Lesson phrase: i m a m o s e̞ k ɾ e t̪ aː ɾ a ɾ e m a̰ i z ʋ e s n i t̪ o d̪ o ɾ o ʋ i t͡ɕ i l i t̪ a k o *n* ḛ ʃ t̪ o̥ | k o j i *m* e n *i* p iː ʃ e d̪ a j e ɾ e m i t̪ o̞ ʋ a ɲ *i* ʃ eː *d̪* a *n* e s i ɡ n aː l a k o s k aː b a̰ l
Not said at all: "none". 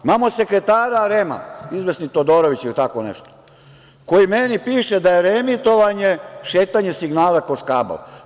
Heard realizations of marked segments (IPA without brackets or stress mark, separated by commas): n, m, i, e, t̪, ɲ